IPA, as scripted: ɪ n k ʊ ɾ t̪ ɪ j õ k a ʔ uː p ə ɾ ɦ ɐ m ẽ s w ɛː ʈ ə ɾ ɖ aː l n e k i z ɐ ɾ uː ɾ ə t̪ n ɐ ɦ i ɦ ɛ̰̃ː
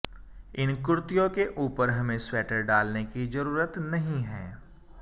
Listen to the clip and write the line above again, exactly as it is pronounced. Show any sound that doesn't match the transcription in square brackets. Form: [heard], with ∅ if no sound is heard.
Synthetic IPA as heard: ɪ n k ʊ ɾ t̪ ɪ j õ k [e] ʔ uː p ə ɾ ɦ ɐ m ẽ s w ɛː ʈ ə ɾ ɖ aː l n e k i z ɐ ɾ uː ɾ ə t̪ n ɐ ɦ [ĩ] ɦ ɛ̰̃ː